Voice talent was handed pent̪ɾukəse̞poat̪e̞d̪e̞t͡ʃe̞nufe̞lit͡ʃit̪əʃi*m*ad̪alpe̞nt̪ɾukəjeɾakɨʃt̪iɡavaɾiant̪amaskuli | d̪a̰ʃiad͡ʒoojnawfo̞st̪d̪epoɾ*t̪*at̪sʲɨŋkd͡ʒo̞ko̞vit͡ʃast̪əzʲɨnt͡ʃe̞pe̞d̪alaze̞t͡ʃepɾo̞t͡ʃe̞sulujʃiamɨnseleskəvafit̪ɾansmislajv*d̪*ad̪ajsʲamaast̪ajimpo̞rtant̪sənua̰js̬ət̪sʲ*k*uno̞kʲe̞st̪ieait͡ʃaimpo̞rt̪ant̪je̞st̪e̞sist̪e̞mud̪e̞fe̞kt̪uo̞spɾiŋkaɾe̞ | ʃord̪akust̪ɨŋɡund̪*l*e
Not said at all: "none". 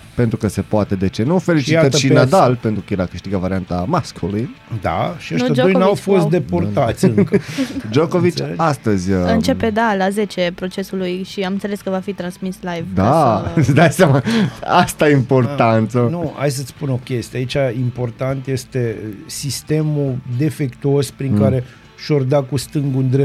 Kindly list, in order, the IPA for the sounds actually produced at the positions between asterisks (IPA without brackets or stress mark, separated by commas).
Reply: n, t̪, d̪, p, ɾ